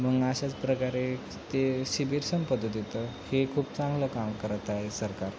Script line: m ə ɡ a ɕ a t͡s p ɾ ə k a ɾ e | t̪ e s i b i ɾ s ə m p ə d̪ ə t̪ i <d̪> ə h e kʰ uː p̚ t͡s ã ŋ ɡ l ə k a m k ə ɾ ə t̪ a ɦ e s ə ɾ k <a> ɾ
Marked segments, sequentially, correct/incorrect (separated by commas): incorrect, correct